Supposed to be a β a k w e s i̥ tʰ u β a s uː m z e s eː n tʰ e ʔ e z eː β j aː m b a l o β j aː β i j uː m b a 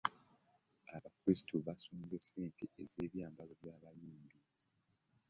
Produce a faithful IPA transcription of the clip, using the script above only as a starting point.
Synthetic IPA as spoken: a β a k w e s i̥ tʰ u β a s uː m z e s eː n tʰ e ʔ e z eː β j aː m b a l o β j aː β a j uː m b i

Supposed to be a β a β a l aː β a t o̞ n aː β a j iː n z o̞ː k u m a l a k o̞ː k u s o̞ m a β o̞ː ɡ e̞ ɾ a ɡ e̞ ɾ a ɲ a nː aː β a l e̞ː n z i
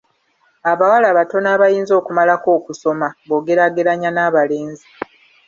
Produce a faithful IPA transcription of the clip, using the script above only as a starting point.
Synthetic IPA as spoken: a β a w a l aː β a t o̞ n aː β a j iː n z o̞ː k u m a l a k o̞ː k u s o̞ m a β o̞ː ɡ e̞ ɾ a ɡ e̞ ɾ a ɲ a n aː β a l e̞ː n z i

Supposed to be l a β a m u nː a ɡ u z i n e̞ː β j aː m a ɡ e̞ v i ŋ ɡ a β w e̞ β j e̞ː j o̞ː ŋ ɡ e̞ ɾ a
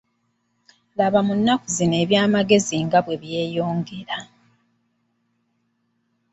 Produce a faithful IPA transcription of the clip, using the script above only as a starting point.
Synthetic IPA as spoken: l a β a m u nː a k u z i n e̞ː β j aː m a ɡ e̞ z i ŋ ɡ a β w e̞ β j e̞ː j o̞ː ŋ ɡ e̞ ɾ a

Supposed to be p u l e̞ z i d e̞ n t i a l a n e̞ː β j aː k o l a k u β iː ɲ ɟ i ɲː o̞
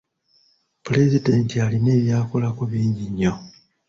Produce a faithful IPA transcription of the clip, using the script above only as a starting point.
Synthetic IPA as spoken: p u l e̞ z i d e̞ n t i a l i n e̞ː β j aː k o l a k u β iː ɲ ɟ i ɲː o̞

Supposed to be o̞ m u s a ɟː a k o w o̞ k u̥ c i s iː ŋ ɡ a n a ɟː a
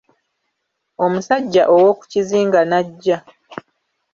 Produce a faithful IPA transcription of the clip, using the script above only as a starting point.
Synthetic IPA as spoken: o̞ m u s a ɟː a ʔ o w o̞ k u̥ c i z iː ŋ ɡ a n a ɟː a

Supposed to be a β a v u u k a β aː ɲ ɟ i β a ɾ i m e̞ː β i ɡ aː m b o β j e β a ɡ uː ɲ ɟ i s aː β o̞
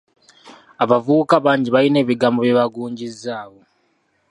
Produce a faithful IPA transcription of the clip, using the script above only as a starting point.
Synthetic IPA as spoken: a β a v u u k a β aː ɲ ɟ i β a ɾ i n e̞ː β i ɡ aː m b o β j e β a ɡ uː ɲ ɟ i z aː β o̞

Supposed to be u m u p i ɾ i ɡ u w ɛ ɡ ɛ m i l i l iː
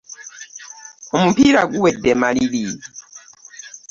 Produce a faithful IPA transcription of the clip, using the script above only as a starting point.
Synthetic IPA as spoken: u m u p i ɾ a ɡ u w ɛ d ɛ m a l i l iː

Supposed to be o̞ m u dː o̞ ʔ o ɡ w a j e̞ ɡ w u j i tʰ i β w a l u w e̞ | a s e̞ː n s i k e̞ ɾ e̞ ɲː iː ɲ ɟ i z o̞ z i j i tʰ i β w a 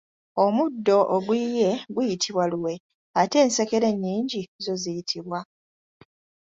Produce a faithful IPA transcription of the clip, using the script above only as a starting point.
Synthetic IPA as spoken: o̞ m u dː o̞ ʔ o ɡ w i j e̞ ɡ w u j i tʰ i β w a l u w e̞ | a t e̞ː n s e k e̞ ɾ e̞ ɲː iː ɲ ɟ i z o̞ z i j i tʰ i β w a

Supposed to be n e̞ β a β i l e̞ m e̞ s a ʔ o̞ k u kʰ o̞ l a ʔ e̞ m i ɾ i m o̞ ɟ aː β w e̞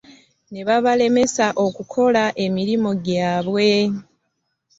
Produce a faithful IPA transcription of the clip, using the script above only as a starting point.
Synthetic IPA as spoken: n e̞ β a β a l e̞ m e̞ s a ʔ o̞ k u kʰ o̞ l a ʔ e̞ m i ɾ i m o̞ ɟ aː β w e̞

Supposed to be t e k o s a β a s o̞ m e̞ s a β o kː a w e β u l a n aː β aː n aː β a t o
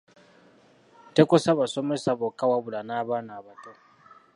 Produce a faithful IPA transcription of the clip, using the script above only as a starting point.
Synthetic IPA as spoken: t e k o s a β a s o̞ m e̞ s a β o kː a w a β u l a n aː β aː n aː β a t o

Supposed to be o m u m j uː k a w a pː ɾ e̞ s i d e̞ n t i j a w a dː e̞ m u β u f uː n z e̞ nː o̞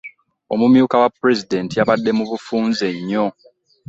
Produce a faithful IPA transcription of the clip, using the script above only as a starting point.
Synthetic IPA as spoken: o m u m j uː k a w a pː ɾ e̞ z i d e̞ n t i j a β a dː e̞ m u β u f uː n z e̞ ɲː o̞

